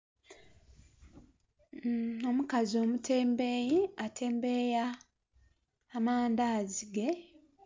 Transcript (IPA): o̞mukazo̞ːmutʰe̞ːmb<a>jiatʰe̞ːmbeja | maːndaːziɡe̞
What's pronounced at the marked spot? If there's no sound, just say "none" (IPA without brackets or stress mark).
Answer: e